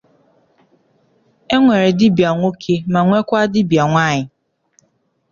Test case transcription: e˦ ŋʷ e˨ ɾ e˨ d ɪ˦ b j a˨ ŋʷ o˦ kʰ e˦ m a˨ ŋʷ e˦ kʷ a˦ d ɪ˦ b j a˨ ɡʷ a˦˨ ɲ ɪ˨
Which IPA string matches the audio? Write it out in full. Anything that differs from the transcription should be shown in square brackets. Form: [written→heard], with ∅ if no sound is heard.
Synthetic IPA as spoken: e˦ ŋʷ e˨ ɾ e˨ d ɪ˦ b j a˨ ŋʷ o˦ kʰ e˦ m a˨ ŋʷ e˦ kʷ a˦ d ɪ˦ b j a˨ [ɡʷ→ŋʷ] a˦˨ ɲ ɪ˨